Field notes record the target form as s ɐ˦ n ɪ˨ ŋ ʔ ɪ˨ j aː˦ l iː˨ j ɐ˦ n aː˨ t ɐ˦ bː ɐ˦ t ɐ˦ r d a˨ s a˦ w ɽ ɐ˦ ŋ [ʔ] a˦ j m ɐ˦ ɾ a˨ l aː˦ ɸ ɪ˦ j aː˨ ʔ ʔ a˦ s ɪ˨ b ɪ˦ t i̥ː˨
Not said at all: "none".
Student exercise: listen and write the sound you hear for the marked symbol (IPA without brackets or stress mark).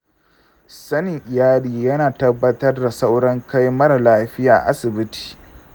k